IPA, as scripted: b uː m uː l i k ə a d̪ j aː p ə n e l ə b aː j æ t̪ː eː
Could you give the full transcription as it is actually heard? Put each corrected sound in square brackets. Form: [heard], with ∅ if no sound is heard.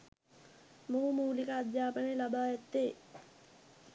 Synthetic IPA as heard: [m] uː m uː l i k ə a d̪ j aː p ə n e l [a] b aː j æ t̪ː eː